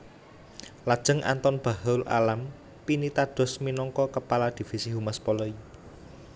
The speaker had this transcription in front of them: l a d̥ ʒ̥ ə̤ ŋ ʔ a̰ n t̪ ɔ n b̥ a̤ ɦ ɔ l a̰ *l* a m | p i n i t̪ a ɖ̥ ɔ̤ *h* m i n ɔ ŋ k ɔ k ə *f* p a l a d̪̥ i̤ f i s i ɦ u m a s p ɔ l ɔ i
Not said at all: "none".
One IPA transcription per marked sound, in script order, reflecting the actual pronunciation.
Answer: l, s, none

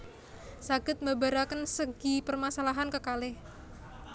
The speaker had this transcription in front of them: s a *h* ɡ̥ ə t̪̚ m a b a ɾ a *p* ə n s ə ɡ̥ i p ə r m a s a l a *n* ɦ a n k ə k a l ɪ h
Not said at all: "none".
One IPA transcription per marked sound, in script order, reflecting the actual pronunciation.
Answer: none, k, none

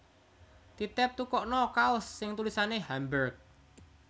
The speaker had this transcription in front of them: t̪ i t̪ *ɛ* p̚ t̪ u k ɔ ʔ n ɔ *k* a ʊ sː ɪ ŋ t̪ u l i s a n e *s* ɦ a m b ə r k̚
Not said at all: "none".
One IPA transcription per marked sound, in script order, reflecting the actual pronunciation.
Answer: ɛ, k, none

